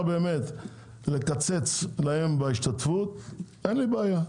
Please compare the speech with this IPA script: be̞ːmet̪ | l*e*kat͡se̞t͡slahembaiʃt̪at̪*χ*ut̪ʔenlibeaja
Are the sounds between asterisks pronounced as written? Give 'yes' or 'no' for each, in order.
yes, no

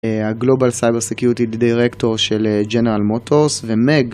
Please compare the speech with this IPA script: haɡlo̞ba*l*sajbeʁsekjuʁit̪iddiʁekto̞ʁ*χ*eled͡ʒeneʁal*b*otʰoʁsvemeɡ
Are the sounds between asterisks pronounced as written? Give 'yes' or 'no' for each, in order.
yes, no, no

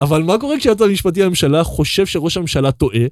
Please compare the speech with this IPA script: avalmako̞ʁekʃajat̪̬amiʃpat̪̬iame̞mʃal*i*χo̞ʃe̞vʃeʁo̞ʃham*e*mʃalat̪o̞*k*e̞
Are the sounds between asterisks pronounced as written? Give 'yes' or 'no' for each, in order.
no, yes, no

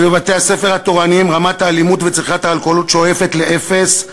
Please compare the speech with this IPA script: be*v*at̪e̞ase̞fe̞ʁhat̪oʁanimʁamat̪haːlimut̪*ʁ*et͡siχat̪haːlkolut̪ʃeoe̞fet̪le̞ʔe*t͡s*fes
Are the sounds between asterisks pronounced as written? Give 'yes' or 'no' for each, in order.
yes, no, no

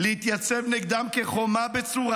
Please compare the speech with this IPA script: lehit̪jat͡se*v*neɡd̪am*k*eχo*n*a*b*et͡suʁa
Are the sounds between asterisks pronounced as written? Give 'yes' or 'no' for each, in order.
yes, yes, no, yes

